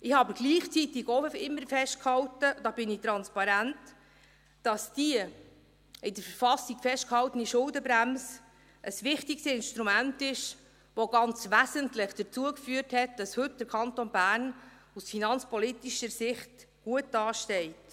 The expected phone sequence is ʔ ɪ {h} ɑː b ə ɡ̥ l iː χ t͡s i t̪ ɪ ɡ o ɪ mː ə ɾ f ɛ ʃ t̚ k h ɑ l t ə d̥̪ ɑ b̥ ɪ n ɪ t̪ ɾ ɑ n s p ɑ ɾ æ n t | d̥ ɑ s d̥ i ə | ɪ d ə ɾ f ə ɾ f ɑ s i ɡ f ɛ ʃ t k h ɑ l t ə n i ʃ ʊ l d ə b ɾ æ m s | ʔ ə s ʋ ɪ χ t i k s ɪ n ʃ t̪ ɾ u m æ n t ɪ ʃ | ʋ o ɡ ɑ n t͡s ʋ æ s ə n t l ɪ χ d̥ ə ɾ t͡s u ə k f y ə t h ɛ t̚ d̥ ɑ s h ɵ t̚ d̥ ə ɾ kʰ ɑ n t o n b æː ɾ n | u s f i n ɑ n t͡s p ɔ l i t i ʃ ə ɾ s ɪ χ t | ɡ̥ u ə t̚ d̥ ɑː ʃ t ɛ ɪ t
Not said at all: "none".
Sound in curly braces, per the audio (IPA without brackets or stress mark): h